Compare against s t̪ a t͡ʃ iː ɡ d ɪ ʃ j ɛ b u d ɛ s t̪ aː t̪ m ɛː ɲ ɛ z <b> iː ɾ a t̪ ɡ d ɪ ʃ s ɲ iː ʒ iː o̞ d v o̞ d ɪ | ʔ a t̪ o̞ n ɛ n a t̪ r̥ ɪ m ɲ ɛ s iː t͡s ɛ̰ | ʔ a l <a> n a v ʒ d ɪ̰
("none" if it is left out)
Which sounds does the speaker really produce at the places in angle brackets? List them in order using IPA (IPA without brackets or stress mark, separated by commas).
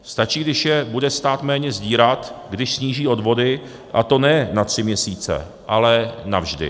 ɟ, ɛ